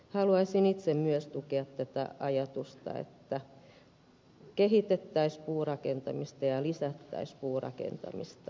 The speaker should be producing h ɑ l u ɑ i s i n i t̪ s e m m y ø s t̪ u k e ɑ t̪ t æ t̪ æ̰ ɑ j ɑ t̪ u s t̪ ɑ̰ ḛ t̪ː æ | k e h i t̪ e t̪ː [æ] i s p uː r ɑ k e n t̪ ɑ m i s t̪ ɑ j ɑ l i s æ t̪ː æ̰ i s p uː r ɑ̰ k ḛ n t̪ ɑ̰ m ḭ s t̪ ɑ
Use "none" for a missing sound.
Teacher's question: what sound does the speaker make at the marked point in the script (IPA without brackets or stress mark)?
æ